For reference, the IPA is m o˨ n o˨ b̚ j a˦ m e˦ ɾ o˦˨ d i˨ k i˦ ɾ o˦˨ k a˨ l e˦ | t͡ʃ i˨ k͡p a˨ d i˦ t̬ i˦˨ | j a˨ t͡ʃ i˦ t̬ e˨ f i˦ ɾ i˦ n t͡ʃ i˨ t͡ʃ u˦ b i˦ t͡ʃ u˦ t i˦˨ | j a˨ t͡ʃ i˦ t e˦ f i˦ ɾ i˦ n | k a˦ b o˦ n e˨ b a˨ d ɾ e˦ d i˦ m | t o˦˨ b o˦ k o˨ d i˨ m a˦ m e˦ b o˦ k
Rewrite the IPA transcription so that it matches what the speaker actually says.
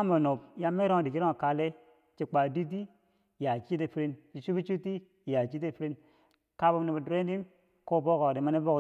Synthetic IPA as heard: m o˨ n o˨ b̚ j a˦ m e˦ ɾ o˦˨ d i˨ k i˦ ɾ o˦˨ k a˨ l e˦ | t͡ʃ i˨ k͡p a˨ d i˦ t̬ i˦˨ | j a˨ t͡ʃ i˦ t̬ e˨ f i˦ ɾ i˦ n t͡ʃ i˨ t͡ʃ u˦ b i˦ t͡ʃ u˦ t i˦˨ | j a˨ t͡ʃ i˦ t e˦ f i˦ ɾ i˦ n | k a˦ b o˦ n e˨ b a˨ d ɾ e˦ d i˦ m | k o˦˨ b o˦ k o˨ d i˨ m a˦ n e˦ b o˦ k

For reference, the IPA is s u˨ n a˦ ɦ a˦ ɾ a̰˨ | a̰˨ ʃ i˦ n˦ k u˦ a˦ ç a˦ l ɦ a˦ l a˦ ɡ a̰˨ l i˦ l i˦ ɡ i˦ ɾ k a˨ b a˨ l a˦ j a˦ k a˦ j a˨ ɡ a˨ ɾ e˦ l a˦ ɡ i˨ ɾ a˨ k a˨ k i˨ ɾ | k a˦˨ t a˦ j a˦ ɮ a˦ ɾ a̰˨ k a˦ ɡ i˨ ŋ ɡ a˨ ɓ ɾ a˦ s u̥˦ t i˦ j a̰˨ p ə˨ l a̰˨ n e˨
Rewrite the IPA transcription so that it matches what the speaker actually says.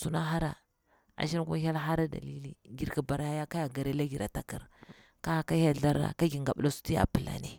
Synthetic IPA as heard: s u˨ n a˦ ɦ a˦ ɾ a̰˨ | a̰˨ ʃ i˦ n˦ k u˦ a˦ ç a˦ l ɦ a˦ ɾ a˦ d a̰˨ l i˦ l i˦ ɡ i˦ ɾ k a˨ b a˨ ɾ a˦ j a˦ k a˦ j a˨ ɡ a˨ ɾ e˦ l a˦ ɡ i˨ ɾ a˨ t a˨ k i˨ ɾ | k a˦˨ k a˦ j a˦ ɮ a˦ ɾ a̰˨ k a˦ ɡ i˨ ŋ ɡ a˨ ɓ l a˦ s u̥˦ t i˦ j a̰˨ p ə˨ l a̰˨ n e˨

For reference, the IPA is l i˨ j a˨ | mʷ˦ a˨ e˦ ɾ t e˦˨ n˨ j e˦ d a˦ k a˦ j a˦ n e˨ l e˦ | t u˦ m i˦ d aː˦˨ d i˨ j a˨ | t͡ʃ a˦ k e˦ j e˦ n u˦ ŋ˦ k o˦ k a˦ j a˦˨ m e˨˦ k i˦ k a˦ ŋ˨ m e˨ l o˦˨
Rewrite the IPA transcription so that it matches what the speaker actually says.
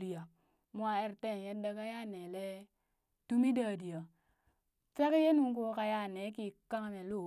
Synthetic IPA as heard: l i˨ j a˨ | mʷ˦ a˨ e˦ ɾ t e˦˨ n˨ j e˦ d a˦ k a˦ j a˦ n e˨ l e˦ | t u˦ m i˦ d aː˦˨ d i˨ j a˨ | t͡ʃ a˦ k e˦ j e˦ n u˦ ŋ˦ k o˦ k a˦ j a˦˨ n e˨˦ k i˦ k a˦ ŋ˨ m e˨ l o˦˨

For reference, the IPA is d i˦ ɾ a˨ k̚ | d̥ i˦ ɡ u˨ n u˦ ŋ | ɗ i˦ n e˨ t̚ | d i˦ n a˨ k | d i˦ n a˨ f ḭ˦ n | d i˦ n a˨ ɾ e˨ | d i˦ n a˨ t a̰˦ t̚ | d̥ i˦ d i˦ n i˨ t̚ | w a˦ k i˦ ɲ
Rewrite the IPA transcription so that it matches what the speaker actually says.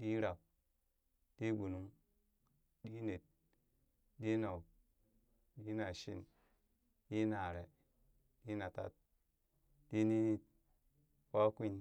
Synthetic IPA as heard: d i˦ ɾ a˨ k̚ | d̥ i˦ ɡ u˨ n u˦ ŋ | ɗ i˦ n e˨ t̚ | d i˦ n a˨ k | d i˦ n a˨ ʃ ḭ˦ n | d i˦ n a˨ ɾ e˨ | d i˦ n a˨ t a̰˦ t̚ | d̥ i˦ n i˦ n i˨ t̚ | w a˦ k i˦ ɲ

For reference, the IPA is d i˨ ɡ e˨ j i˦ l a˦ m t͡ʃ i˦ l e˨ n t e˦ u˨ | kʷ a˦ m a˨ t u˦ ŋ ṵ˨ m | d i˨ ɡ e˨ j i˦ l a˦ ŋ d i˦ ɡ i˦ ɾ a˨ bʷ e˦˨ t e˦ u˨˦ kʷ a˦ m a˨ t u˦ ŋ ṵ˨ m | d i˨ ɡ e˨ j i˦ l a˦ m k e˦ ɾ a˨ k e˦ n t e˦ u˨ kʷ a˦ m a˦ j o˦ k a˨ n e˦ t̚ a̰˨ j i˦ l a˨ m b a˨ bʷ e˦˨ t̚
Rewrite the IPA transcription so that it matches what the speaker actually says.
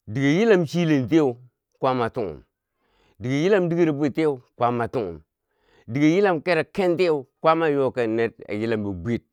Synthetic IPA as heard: d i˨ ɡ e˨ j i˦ l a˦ m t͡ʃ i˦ l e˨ n t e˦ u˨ | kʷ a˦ m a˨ t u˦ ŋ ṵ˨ m | d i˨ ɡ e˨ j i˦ l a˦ m d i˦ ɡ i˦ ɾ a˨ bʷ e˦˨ t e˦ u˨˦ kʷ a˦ m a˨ t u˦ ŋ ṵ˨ m | d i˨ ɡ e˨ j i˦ l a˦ m k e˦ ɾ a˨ k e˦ n t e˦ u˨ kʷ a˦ m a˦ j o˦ k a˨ n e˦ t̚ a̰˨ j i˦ l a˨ m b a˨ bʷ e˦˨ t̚

